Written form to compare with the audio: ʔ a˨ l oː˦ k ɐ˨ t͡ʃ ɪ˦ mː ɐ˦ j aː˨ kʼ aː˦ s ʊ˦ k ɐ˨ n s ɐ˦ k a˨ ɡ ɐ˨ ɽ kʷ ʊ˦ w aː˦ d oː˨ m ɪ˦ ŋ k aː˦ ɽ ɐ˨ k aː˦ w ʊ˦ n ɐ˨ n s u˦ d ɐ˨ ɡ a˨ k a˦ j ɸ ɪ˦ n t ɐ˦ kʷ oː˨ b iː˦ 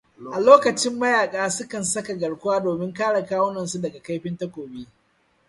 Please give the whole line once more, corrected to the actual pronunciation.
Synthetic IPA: ʔ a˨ l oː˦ k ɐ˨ t͡ʃ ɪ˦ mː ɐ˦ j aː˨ kʼ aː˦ s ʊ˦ k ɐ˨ n s ɐ˦ k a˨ ɡ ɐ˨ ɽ kʷ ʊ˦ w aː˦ d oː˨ m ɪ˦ ŋ k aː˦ ɽ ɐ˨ k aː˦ w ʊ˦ n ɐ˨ n s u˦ d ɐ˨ ɡ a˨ k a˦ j ɸ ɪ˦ n t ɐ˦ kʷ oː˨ b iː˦